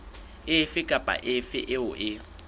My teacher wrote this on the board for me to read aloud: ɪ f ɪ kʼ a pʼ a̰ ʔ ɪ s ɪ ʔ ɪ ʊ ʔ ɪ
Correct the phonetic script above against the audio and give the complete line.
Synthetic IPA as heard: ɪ f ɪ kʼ a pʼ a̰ ʔ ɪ f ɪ ʔ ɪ ʊ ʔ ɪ